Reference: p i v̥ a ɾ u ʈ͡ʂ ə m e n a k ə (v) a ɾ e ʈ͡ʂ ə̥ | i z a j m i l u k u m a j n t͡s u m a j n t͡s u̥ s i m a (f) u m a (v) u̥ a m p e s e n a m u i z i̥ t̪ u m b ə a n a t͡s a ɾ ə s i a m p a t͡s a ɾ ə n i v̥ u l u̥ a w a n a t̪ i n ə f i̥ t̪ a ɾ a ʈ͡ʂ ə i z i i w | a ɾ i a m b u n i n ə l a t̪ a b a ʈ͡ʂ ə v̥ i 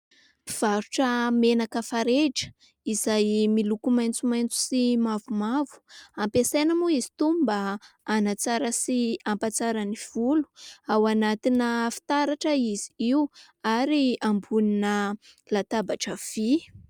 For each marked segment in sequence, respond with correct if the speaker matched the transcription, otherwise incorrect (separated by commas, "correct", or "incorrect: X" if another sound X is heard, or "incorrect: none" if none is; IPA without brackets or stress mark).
incorrect: f, incorrect: v, correct